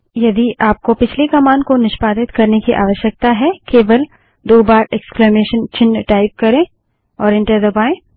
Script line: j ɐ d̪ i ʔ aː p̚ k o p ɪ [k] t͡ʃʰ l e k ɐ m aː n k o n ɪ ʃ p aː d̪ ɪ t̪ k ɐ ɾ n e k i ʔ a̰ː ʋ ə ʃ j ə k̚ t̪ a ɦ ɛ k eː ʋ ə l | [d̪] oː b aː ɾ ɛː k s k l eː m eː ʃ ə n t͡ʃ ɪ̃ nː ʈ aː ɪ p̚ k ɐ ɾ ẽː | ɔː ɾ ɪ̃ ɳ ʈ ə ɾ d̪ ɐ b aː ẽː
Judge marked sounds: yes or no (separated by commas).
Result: no, yes